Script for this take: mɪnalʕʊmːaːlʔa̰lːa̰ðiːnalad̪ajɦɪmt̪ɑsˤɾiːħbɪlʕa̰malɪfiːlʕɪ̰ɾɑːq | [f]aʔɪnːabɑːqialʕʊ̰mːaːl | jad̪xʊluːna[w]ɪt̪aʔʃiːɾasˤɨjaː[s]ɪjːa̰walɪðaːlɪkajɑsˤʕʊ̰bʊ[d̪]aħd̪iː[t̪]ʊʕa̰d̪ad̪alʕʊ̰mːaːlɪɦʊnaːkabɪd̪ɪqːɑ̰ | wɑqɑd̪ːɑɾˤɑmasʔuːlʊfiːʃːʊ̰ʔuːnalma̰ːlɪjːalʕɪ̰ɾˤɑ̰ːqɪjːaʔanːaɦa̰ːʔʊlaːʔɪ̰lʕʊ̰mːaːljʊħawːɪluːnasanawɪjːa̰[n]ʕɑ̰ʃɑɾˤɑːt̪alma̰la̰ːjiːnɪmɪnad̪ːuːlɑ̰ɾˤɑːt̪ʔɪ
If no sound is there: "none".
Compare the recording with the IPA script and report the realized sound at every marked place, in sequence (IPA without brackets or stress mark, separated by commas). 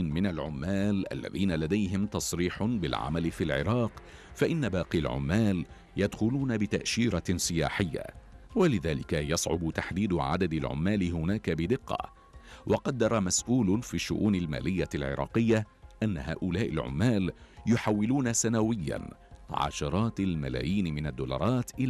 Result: f, b, ħ, t̪, d̪, n